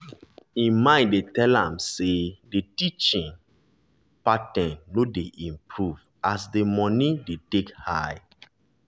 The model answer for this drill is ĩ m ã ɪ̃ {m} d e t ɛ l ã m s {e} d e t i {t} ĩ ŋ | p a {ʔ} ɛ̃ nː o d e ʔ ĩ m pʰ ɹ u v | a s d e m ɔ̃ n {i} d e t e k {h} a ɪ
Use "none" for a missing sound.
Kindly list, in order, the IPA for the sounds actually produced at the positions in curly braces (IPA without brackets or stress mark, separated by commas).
n, e, t͡ʃ, t, i, h